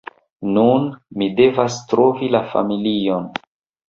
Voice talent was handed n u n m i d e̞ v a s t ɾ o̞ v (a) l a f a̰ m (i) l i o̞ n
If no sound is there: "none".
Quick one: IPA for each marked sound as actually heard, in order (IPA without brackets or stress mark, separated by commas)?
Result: i, i